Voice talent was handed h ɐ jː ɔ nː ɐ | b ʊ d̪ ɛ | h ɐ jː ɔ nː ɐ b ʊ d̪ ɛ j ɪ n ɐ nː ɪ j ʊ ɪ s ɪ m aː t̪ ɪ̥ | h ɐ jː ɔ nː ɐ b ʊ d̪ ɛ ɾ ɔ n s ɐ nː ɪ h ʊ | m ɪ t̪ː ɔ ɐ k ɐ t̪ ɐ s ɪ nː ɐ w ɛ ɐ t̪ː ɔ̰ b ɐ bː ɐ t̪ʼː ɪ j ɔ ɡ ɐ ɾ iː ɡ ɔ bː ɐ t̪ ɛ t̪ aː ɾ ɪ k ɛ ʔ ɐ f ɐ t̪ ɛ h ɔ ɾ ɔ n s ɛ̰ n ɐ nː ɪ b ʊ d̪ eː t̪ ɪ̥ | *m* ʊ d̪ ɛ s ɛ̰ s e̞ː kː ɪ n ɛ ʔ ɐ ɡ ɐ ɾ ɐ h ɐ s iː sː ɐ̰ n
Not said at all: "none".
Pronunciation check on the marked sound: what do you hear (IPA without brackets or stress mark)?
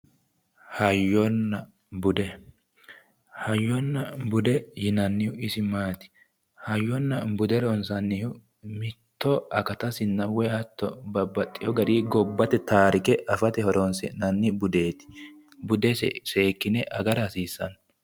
b